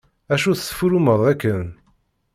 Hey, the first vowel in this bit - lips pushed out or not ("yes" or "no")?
no